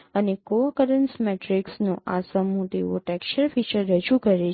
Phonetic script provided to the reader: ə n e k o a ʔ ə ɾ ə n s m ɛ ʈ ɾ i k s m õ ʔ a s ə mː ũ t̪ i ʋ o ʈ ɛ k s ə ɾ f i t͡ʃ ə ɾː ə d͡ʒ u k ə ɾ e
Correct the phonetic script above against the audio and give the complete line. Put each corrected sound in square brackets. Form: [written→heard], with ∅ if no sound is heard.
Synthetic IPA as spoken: ə n e k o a [ʔ→k] ə ɾ ə n s m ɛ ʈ ɾ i k s [m→n] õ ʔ a s ə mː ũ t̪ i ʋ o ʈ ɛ k [s→ʃ] ə ɾ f i t͡ʃ ə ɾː ə d͡ʒ u k ə ɾ e